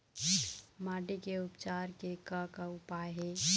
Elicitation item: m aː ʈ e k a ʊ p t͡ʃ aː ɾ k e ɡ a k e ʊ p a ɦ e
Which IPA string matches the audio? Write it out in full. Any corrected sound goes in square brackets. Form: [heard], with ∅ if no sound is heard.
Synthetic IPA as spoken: m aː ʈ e k [e] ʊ p t͡ʃ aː ɾ k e [k] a k [a] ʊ p a ɦ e

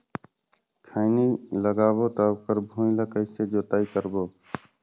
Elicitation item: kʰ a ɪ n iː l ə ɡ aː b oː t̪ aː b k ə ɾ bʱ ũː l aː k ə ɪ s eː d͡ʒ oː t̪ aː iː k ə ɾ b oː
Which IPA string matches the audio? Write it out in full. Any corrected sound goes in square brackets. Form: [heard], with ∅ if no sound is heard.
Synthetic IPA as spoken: kʰ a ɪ n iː l ə ɡ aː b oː t̪ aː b k ə ɾ bʱ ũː l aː k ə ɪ s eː d͡ʒ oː t̪ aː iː k ə ɾ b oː

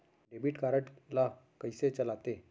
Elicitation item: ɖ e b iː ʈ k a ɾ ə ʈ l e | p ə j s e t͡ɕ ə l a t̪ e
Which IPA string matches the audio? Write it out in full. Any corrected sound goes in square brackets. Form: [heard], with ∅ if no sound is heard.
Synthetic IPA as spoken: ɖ e b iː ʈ k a ɾ ə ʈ l [a] | [k] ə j s e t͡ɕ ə l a t̪ e

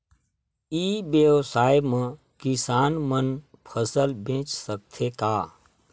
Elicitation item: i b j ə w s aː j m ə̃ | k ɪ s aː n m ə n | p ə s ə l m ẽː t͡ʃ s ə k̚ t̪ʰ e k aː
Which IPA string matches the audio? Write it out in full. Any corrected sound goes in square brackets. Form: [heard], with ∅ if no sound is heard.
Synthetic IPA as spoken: i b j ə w s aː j m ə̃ | k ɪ s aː n m ə n | [pʰ] ə s ə l [b] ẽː t͡ʃ s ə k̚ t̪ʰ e k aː

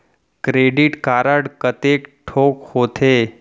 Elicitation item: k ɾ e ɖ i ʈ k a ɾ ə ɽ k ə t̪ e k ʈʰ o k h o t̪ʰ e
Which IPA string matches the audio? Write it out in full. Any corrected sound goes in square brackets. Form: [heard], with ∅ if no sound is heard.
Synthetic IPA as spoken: k ɾ e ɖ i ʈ k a ɾ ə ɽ k ə t̪ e k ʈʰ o k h o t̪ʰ e

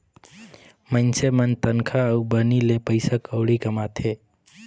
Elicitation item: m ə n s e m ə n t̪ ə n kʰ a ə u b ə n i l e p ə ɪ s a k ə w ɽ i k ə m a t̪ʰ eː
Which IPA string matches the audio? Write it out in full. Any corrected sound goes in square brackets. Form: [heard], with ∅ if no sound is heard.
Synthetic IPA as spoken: m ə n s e m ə n t̪ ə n kʰ a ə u b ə n i l e p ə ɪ s a k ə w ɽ i k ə m a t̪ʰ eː

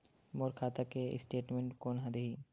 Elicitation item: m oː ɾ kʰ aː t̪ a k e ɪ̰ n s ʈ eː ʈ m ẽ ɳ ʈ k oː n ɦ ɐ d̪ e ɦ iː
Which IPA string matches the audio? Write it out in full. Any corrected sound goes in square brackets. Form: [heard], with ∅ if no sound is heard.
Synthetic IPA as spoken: m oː ɾ kʰ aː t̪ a k e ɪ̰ [∅] s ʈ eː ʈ m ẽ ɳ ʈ k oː n ɦ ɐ d̪ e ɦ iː

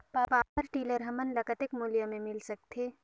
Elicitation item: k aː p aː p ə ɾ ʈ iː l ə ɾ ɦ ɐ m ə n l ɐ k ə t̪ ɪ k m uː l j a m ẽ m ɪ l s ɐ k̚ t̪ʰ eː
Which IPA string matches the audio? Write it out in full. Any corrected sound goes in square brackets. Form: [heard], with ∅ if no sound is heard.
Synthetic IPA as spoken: [p] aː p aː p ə ɾ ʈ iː l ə ɾ ɦ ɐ m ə n l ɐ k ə t̪ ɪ k m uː l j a m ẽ m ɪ l s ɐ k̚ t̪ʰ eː

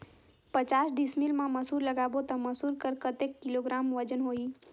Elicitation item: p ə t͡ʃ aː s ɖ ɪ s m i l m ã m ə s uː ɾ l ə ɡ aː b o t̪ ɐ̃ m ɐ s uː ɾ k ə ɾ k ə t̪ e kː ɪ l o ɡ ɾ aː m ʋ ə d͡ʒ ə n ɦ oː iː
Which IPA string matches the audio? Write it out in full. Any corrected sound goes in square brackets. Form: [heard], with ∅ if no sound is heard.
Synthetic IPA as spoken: p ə t͡ʃ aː s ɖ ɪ s m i l m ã m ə s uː ɾ l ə ɡ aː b o t̪ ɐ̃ m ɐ s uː ɾ k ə ɾ k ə t̪ e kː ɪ l o ɡ ɾ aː m ʋ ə d͡ʒ ə n ɦ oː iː

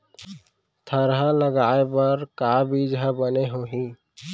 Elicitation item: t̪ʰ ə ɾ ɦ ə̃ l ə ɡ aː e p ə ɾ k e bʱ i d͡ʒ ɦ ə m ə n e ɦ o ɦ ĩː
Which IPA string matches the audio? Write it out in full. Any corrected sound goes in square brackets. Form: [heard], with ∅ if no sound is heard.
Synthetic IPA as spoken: t̪ʰ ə ɾ ɦ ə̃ l ə ɡ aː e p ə ɾ k [a] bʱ i d͡ʒ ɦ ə [b] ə n e ɦ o ɦ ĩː

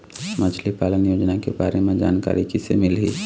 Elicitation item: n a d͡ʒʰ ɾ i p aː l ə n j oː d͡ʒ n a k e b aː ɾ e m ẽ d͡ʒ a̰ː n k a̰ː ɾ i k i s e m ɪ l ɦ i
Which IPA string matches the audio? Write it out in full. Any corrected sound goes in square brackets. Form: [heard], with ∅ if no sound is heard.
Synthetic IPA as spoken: [m] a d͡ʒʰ [l] i p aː l ə n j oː d͡ʒ n a k e b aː ɾ e m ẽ d͡ʒ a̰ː n k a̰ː ɾ i k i s e m ɪ l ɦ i

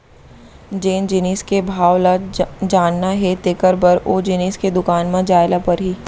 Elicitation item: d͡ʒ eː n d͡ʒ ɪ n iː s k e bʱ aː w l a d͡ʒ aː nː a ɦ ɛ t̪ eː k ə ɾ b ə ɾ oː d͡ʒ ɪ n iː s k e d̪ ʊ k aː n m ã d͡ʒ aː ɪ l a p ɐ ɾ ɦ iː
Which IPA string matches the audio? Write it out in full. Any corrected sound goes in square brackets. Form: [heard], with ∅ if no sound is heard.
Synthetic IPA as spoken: d͡ʒ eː n d͡ʒ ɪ n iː s k e bʱ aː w l a d͡ʒ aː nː a ɦ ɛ t̪ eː k ə ɾ b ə ɾ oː d͡ʒ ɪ n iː s k e d̪ ʊ k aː n m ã d͡ʒ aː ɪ l a p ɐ ɾ ɦ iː

